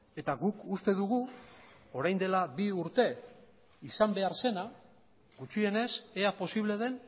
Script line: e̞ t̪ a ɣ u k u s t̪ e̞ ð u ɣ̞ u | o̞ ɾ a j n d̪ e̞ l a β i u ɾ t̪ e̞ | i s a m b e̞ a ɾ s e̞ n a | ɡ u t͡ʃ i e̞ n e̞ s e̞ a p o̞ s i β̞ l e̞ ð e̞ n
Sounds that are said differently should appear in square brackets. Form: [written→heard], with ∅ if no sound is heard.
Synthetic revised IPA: e̞ t̪ a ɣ u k u s t̪ e̞ ð u ɣ̞ u | o̞ ɾ a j n d̪ e̞ l a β i u ɾ t̪ e̞ | i s a m b e̞ a ɾ s e̞ n a | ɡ u t͡ʃ i e̞ n e̞ s e̞ a p o̞ s i β̞ l e̞ ð e̞ n